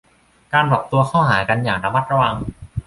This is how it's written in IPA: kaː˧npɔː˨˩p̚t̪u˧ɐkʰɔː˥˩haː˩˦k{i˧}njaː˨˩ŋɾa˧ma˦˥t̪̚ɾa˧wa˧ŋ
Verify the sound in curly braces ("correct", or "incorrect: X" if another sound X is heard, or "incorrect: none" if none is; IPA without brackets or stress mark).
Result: incorrect: a˧